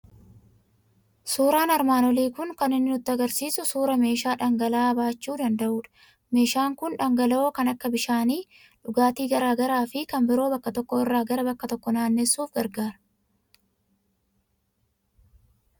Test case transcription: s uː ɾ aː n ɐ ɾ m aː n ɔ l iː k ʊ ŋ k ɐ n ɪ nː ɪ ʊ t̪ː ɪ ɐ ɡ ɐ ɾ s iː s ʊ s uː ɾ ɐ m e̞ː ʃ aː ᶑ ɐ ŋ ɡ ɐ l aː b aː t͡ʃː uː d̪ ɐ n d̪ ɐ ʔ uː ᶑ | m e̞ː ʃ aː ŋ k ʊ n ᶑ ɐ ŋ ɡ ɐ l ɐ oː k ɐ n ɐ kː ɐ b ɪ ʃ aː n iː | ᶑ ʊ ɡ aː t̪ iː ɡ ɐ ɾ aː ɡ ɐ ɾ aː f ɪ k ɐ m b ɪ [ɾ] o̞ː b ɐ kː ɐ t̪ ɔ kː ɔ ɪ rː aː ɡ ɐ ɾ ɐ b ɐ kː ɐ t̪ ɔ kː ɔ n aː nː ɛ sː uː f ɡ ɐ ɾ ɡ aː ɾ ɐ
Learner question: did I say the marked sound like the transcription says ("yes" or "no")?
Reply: yes